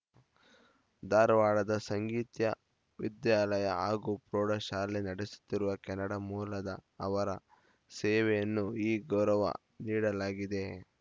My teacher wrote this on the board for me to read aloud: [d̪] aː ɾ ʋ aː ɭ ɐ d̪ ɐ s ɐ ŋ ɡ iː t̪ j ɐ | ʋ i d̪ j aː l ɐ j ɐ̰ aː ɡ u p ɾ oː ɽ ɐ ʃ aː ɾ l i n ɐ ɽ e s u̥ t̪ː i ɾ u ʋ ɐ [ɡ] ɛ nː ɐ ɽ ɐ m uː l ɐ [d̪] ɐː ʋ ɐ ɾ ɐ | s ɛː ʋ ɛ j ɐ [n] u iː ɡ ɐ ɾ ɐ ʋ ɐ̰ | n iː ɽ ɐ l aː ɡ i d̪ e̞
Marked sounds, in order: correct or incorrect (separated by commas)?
correct, incorrect, correct, incorrect